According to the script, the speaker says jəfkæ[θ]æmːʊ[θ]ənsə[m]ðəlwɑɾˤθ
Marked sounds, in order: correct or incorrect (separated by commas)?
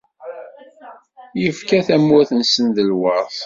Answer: correct, correct, incorrect